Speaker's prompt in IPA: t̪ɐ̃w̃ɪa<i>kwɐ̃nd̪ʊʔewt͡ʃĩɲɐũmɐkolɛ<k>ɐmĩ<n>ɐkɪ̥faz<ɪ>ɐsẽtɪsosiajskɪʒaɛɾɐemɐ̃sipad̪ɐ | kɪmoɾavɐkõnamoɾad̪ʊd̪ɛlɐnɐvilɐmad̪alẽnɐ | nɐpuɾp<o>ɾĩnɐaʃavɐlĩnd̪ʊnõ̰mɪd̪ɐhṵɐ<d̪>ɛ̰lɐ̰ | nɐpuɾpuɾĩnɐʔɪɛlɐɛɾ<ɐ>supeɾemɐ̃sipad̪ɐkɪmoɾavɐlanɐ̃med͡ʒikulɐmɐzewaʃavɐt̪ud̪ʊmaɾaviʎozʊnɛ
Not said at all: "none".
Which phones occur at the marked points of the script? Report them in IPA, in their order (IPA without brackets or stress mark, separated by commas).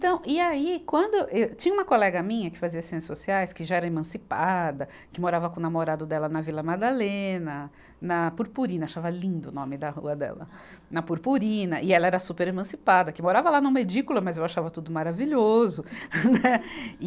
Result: i, ɡ, ɲ, i, u, d̪, ɐ